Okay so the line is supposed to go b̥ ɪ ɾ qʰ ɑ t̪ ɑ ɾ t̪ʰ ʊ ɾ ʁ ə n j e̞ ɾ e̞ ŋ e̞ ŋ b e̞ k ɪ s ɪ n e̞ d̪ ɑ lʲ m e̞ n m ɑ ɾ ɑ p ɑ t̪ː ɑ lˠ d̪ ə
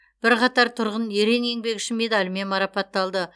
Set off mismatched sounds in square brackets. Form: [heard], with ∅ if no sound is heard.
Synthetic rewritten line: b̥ ɪ ɾ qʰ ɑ t̪ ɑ ɾ t̪ʰ ʊ ɾ ʁ ə n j e̞ ɾ e̞ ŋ e̞ ŋ b e̞ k ɪ [ʃ] ɪ [m] e̞ d̪ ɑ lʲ m e̞ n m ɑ ɾ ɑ p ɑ t̪ː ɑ lˠ d̪ ə